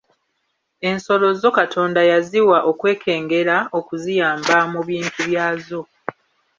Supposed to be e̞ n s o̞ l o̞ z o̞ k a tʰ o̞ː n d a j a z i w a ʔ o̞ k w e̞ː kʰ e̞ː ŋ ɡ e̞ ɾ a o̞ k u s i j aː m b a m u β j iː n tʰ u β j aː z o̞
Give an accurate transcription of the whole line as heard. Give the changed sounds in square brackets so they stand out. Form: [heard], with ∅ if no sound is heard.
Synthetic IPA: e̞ n s o̞ l o̞ z o̞ k a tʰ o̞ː n d a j a z i w a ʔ o̞ k w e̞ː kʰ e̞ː ŋ ɡ e̞ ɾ a o̞ k u [z] i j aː m b a m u β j iː n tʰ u β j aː z o̞